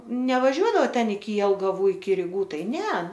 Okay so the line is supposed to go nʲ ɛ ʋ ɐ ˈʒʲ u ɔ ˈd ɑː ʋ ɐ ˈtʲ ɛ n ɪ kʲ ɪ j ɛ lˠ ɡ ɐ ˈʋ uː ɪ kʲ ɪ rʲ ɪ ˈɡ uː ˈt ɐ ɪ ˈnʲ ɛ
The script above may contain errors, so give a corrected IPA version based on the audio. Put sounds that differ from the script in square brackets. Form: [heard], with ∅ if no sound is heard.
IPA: nʲ ɛ ʋ ɐ ˈʒʲ u ɔ ˈd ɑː ʋ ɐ ˈtʲ ɛ n ɪ kʲ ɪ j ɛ lˠ ɡ ɐ ˈʋ uː ɪ kʲ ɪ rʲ ɪ ˈɡ uː ˈt ɐ ɪ ˈnʲ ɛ